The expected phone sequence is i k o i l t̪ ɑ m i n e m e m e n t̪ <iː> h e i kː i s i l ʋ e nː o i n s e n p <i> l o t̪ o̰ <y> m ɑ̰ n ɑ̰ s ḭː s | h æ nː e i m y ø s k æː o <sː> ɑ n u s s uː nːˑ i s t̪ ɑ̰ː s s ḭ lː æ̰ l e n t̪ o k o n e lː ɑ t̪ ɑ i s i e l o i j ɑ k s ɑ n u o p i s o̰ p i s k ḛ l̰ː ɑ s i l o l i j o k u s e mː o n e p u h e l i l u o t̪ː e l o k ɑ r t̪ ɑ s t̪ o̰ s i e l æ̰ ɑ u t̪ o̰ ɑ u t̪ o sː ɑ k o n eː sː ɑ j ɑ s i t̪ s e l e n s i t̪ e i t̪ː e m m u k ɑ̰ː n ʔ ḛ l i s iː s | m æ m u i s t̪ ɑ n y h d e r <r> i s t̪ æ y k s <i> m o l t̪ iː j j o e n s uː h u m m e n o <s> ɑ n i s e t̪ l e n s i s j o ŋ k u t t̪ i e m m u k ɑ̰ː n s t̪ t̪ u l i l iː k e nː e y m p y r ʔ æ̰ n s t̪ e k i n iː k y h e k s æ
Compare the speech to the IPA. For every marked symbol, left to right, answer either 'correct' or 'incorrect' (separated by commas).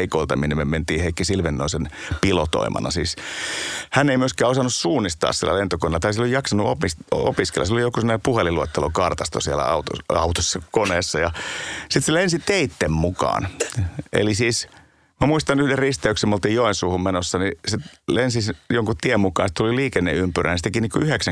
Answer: correct, correct, incorrect, incorrect, correct, incorrect, incorrect